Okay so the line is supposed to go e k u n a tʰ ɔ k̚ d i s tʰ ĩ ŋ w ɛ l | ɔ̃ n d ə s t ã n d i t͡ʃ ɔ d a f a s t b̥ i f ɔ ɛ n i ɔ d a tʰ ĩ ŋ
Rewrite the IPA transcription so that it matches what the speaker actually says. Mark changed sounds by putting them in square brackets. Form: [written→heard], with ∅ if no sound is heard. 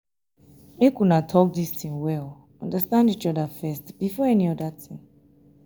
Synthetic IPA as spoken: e k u n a tʰ ɔ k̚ d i s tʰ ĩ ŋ w ɛ l | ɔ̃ n d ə s t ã n d i t͡ʃ ɔ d a f [a→ɛ] s t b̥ i f ɔ ɛ n i ɔ d a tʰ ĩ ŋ